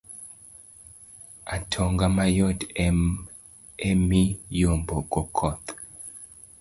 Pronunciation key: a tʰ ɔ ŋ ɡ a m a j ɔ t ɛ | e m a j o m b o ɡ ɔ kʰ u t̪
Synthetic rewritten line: a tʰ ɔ ŋ ɡ a m a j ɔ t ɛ | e m i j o m b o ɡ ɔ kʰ ɔ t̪